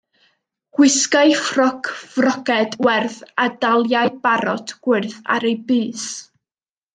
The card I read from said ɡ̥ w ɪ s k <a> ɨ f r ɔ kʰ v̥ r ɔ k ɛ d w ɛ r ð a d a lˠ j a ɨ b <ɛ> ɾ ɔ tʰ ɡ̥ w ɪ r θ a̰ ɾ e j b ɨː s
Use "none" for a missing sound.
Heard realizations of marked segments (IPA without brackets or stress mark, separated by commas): a, a